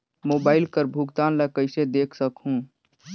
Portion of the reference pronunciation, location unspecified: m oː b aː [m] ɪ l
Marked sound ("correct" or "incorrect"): incorrect